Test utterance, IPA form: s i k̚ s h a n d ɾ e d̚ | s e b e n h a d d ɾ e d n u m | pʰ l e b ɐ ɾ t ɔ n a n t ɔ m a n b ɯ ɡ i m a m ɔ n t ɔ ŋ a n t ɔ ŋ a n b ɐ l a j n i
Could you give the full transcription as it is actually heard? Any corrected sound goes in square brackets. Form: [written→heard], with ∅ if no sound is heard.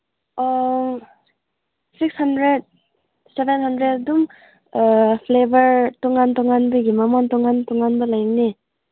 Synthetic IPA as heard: s i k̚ s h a n d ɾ e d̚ | s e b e n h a [d→n] d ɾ e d [n→d] u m | pʰ l e b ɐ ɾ t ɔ [n→ŋ] a n t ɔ [m→ŋ] a n b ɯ ɡ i m a m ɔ n t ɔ ŋ a n t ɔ ŋ a n b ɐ l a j n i

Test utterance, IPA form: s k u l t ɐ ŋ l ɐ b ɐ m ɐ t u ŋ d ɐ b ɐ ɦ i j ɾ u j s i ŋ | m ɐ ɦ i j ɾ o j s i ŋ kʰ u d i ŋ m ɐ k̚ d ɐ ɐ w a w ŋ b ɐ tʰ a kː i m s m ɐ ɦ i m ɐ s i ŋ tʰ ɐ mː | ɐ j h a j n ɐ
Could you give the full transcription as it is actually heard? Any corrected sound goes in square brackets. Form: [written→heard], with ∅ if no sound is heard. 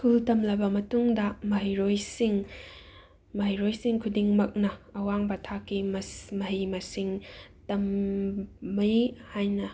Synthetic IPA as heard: s k u l t ɐ [ŋ→m] l ɐ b ɐ m ɐ t u ŋ d ɐ [b→m] ɐ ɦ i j ɾ [u→o] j s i ŋ | m ɐ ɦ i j ɾ o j s i ŋ kʰ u d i ŋ m ɐ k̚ [d→n] ɐ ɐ w a [w→∅] ŋ b ɐ tʰ a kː i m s m ɐ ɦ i m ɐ s i ŋ [tʰ→t] ɐ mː | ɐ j h a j n ɐ

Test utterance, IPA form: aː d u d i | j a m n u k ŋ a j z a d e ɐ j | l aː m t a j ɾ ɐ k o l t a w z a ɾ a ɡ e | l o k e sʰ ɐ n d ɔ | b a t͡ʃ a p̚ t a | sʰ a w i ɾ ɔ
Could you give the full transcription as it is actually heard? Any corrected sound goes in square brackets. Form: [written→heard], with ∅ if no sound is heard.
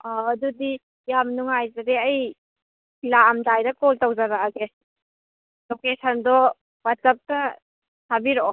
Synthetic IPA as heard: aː d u d i | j a m n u [k→∅] ŋ a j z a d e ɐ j | l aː m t a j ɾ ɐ k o l t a w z a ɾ a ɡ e | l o k e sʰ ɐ n d ɔ | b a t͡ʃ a p̚ t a | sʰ a [w→b] i ɾ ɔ

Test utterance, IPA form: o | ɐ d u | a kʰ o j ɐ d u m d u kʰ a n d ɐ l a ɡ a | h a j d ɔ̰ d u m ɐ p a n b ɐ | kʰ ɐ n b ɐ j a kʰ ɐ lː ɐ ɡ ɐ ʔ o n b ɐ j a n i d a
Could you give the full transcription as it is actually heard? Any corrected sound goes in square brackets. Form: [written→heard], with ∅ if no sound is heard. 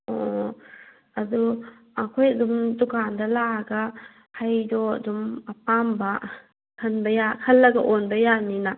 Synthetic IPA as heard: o | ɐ d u | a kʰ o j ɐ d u m d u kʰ a n d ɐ l a ɡ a | h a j d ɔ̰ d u m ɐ p a [n→m] b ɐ | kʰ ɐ n b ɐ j a kʰ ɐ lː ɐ ɡ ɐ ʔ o n b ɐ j a n i [d→n] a

